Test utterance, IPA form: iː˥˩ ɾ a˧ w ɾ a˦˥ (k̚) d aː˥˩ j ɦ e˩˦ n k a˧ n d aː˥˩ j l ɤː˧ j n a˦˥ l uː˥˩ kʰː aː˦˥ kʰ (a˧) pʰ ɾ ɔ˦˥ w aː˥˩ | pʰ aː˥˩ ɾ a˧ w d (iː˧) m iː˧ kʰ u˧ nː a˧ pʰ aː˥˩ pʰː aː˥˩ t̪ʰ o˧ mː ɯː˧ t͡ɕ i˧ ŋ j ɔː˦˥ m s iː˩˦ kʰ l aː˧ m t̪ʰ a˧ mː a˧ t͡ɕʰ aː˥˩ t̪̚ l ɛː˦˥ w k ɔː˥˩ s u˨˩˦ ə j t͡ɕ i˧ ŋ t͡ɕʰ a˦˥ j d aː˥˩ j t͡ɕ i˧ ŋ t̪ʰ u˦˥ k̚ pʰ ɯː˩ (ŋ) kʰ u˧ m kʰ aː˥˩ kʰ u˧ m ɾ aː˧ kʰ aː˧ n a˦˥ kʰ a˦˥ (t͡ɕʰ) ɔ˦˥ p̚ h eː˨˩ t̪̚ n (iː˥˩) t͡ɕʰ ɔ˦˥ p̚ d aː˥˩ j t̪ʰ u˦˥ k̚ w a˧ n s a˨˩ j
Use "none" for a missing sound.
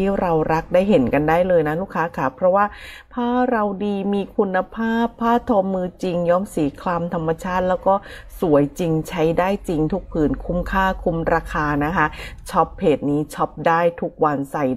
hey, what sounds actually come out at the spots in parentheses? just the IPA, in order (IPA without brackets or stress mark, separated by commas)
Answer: k̚, a˦˥˩, iː˧, n, t͡ɕʰ, iː˦˥